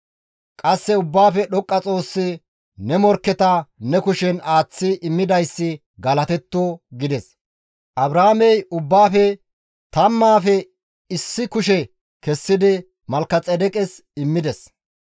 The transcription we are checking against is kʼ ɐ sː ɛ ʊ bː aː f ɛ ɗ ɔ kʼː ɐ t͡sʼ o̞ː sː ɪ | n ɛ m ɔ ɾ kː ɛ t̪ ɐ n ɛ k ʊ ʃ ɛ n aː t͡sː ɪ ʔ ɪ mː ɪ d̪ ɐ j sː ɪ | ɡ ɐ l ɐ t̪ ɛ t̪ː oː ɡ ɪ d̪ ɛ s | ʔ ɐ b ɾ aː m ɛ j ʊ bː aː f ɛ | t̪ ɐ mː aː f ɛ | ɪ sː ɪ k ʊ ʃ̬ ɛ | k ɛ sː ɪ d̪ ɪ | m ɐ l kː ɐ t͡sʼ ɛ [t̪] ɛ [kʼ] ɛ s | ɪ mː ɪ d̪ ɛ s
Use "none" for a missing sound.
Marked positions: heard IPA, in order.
d̪, kʼ

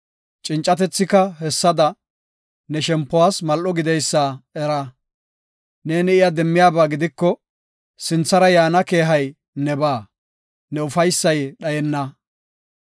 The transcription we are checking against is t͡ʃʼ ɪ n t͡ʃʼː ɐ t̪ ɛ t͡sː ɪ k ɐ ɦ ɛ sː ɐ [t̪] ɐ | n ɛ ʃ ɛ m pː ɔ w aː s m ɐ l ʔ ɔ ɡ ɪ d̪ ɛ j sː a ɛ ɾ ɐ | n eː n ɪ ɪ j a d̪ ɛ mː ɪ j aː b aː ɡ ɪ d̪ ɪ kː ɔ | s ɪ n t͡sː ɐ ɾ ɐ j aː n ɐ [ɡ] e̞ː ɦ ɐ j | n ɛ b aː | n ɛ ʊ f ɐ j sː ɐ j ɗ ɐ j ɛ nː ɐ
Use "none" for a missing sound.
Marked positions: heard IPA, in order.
d̪, k

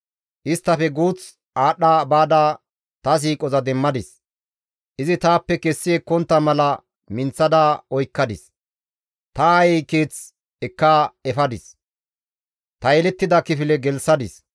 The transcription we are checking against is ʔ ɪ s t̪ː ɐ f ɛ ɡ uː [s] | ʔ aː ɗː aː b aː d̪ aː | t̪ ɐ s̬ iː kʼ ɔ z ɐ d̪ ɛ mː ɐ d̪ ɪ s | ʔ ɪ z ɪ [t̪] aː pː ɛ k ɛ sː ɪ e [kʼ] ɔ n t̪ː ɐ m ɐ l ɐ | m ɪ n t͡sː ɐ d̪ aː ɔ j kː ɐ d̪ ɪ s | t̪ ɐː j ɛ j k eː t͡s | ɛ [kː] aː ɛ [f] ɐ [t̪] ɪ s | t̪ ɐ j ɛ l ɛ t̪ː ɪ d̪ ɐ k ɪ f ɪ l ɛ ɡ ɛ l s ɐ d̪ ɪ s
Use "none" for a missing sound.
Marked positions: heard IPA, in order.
t͡s, t̪, k, kː, f, d̪

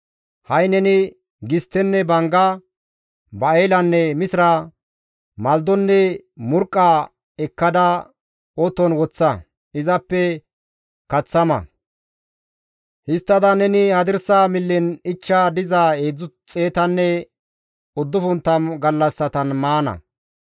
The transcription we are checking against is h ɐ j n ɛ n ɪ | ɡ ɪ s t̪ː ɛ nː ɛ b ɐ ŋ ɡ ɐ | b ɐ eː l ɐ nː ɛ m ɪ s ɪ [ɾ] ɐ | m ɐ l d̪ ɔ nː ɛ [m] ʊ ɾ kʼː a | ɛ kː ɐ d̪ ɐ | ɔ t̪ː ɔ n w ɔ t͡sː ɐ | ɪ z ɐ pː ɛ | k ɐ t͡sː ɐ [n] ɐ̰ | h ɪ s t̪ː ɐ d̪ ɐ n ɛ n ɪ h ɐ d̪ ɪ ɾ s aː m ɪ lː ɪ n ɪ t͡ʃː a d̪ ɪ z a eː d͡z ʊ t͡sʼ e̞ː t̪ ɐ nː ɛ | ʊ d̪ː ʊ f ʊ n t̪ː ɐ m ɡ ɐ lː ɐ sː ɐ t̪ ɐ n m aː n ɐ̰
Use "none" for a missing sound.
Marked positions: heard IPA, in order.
ɾ, m, m

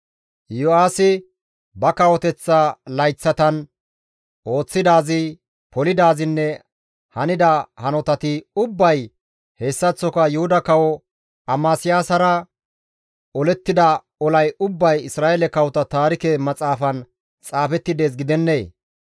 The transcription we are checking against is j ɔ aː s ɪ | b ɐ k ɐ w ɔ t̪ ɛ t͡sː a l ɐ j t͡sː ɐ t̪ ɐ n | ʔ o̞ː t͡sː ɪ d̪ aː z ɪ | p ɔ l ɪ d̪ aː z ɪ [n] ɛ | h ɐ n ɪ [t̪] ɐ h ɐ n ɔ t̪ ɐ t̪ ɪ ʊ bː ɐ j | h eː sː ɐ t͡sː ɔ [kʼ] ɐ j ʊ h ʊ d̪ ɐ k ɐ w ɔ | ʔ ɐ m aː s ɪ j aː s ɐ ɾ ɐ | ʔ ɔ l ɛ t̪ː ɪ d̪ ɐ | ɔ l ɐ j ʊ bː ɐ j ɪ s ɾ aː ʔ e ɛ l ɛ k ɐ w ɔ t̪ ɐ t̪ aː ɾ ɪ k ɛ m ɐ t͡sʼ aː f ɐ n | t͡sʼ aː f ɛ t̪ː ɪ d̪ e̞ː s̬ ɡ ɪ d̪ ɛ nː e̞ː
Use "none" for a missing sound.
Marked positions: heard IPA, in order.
nː, d̪, k

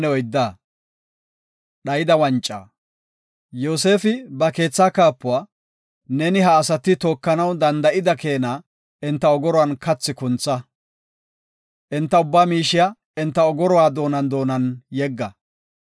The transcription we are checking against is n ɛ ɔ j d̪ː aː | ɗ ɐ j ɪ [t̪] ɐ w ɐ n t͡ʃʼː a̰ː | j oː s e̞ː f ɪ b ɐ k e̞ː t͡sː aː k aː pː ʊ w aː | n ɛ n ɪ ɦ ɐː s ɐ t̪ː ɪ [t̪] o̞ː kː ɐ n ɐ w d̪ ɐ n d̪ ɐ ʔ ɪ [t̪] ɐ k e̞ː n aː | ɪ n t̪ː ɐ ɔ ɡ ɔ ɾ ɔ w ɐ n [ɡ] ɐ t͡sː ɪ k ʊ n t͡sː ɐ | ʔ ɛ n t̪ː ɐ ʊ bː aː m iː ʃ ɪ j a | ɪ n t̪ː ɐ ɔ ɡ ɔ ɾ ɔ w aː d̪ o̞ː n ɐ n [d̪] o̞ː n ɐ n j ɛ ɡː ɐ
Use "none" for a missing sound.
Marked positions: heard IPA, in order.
d̪, t̪, d̪, k, d̪

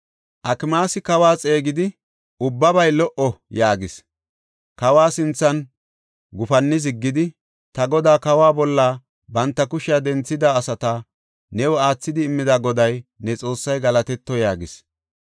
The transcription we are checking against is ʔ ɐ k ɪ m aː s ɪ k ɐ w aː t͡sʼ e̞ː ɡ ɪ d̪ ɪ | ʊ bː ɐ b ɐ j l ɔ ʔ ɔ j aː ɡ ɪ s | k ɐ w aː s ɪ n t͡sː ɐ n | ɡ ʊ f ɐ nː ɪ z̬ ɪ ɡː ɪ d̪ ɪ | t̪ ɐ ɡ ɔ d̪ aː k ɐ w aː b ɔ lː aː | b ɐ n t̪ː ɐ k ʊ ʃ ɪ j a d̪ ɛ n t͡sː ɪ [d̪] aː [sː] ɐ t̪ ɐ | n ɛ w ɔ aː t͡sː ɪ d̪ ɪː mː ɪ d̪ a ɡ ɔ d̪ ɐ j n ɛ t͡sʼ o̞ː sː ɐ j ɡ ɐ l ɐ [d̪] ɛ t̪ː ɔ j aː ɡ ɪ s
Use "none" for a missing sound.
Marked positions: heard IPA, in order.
d̪, s, t̪

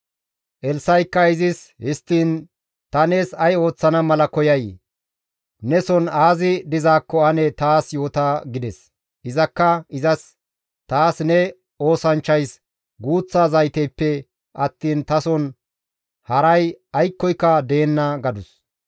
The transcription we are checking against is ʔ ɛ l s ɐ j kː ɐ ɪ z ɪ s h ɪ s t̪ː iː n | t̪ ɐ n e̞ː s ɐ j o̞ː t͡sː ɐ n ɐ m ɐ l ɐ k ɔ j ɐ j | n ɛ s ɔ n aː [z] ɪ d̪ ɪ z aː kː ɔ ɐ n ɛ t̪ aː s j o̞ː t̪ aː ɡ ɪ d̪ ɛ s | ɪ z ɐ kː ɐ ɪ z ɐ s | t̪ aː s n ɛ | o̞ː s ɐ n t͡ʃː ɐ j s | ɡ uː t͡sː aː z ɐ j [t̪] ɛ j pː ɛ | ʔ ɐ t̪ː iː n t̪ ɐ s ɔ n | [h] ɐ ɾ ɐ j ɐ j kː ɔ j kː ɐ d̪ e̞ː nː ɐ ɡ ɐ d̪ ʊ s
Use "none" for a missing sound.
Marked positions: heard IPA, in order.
z, t̪, h

